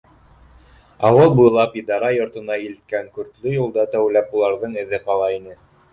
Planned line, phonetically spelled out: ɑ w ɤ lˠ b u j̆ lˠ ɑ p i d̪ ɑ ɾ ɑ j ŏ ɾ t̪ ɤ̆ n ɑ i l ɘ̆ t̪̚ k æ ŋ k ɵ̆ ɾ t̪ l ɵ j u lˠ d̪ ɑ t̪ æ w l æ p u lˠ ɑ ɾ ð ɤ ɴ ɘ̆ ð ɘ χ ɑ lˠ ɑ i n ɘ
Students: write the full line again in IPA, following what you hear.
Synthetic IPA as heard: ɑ w ɤ lˠ b u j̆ lˠ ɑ p i d̪ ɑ ɾ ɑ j ŏ ɾ t̪ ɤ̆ n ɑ i l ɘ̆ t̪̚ k æ ŋ k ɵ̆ ɾ t̪ l ɵ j u lˠ d̪ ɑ t̪ æ w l æ p u lˠ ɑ ɾ ð ɤ ɴ ɘ̆ ð ɘ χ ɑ lˠ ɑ i n ɘ

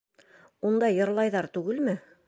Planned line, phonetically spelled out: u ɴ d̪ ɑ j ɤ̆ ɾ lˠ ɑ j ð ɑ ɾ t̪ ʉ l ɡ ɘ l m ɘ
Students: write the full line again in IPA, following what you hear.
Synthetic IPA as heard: u n d̪ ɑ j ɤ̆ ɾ lˠ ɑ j ð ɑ ɾ t̪ ʉ ɡ ɘ l m ɘ

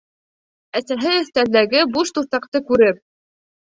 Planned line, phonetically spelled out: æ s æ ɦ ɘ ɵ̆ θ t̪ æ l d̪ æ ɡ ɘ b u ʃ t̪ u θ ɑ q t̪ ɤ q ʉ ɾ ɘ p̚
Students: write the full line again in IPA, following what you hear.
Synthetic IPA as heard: æ s æ ɦ ɘ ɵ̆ θ t̪ æ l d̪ æ ɡ ɘ b u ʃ t̪ u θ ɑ q t̪ ɤ k ʉ ɾ ɘ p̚

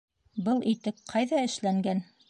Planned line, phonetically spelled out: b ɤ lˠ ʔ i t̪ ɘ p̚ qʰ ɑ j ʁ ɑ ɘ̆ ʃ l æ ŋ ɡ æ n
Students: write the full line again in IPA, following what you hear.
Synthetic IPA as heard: b ɤ lˠ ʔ i t̪ ɘ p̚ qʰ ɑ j ð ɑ ɘ̆ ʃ l æ ŋ ɡ æ n

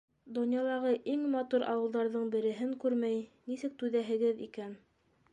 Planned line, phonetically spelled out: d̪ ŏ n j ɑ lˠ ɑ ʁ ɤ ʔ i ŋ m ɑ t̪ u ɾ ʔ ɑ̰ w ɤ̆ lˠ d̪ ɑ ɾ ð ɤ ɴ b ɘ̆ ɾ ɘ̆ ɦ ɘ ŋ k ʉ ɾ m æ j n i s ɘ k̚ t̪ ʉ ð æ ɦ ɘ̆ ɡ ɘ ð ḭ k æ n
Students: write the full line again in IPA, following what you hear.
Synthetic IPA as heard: d̪ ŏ n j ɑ lˠ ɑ ʁ ɤ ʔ i ŋ m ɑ t̪ u ɾ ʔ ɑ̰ w ɤ̆ lˠ d̪ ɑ ɾ ð ɤ ɴ b ɘ̆ ɾ ɘ̆ ɦ ɘ ŋ k ʉ ɾ m æ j n i s ɘ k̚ t̪ ʉ ð æ ɦ ɘ̆ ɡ ɘ ð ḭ k æ n

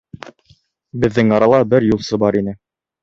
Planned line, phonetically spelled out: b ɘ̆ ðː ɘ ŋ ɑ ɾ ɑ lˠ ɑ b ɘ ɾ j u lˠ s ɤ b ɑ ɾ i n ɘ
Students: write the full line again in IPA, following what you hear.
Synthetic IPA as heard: b ɘ̆ ðː ɘ ŋ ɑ ɾ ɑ lˠ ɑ b ɘ ɾ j u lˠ s ɤ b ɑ ɾ i n ɘ

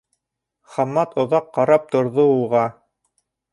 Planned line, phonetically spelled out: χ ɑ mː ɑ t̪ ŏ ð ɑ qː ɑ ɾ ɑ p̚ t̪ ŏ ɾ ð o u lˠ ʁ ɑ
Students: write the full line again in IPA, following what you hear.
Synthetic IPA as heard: χ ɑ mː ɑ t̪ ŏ ð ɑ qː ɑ ɾ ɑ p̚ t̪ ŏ ɾ ð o u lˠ ʁ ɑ

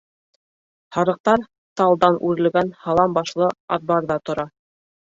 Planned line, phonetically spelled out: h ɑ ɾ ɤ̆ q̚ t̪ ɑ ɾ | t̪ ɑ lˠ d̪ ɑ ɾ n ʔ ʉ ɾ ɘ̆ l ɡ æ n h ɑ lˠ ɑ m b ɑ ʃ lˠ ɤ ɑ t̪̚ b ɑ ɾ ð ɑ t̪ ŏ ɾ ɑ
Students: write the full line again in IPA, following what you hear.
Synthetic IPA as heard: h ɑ ɾ ɤ̆ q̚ t̪ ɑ ɾ | t̪ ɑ lˠ d̪ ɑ n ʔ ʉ ɾ ɘ̆ l ɡ æ n h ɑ lˠ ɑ m b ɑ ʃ lˠ ɤ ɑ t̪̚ b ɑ ɾ ð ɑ t̪ ŏ ɾ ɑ

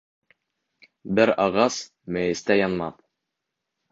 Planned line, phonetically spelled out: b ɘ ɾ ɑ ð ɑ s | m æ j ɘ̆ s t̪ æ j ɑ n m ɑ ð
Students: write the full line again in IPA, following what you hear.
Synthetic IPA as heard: b ɘ ɾ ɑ ʁ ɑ s | m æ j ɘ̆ s t̪ æ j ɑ n m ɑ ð

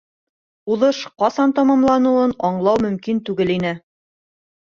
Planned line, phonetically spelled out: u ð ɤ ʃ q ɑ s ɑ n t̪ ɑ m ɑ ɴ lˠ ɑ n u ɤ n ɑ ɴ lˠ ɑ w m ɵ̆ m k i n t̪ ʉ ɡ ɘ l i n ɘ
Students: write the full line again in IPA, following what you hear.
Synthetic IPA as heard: u ð ɤ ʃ q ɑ s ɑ n t̪ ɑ m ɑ m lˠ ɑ n u ɤ n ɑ ɴ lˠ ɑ w m ɵ̆ m k i n t̪ ʉ ɡ ɘ l i n ɘ

